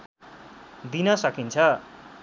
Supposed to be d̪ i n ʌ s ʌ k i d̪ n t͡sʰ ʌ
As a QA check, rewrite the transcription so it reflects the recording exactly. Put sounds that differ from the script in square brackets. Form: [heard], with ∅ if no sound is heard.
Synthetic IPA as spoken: d̪ i n ʌ s ʌ k i [∅] n t͡sʰ ʌ